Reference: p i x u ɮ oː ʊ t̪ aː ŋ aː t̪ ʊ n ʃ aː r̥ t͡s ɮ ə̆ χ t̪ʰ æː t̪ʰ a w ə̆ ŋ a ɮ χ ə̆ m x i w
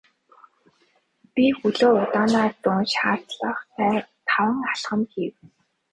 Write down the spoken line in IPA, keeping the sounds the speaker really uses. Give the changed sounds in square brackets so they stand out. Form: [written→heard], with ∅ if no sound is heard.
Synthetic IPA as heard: p i x u ɮ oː ʊ t̪ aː [ŋ→n] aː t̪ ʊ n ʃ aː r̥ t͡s ɮ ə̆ χ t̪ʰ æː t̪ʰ a w ə̆ ŋ a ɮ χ ə̆ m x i w